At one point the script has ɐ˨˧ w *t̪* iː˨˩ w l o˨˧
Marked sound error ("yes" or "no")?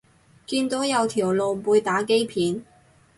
yes